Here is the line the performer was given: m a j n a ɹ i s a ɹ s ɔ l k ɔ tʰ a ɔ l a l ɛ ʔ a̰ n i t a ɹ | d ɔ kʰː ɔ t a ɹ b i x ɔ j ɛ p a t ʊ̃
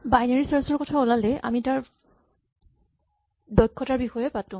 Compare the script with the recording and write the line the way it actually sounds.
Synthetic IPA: b a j n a ɹ i s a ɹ s ɔ ɹ k ɔ tʰ a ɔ l a l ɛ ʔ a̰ m i t a ɹ | d ɔ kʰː ɔ t a ɹ b i x ɔ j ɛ p a t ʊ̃